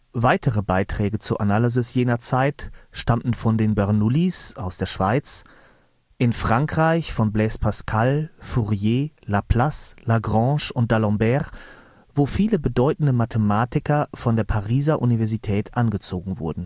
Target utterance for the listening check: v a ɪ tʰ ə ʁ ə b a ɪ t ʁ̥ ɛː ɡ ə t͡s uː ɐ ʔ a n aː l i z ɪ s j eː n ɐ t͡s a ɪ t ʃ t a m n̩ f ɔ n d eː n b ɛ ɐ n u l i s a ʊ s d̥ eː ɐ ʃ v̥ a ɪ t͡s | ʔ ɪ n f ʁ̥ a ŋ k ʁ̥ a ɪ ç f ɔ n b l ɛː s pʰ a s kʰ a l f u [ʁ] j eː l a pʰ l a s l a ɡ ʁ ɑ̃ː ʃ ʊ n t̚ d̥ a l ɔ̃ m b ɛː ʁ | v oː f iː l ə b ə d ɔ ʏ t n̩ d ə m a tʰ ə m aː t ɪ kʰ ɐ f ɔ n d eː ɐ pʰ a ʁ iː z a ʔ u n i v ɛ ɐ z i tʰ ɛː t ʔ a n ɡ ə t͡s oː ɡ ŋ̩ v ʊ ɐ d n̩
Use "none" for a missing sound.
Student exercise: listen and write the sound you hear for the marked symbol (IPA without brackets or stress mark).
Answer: ʁ